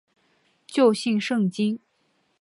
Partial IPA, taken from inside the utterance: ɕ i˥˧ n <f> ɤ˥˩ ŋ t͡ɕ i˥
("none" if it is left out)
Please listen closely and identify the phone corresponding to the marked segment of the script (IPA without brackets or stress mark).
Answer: ʂ